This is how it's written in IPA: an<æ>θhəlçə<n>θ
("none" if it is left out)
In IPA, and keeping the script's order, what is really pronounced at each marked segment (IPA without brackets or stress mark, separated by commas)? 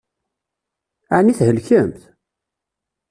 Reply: i, m